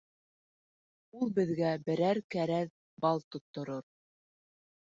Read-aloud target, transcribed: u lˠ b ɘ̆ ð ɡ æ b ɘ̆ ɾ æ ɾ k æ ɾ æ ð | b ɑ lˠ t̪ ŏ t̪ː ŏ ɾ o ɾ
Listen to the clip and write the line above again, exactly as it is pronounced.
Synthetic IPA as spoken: u lˠ b ɘ̆ ð ɡ æ b ɘ̆ ɾ æ ɾ k æ ɾ æ ð | b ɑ lˠ t̪ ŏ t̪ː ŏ ɾ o ɾ